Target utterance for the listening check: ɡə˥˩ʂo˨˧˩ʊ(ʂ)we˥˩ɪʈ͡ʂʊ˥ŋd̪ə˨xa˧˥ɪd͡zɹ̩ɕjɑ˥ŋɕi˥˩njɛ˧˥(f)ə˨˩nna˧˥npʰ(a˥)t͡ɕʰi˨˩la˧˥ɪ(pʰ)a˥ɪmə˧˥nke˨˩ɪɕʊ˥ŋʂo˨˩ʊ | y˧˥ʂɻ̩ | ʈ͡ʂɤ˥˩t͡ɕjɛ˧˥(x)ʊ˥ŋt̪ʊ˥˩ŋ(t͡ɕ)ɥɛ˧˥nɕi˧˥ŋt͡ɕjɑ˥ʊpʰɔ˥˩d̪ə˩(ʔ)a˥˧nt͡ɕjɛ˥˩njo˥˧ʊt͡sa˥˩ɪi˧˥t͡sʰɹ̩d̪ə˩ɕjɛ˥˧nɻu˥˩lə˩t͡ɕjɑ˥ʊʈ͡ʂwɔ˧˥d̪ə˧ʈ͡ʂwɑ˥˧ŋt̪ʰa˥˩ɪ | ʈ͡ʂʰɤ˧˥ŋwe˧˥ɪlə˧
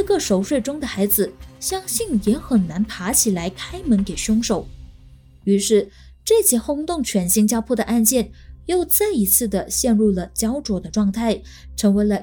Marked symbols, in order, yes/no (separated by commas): yes, no, no, no, yes, no, yes